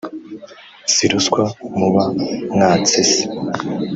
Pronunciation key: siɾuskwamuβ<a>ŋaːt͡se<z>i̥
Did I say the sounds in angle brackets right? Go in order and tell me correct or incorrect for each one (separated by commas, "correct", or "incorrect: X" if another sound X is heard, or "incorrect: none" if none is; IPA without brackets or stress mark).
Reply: correct, incorrect: s